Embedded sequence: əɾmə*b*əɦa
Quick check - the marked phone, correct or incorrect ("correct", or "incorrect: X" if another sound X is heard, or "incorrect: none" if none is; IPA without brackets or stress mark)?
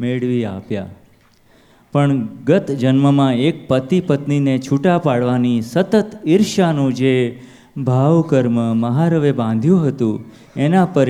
incorrect: m